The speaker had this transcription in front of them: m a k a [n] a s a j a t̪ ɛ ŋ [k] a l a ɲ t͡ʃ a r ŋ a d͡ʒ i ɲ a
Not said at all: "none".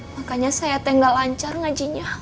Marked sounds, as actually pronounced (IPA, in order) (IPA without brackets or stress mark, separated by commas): ɲ, ɡ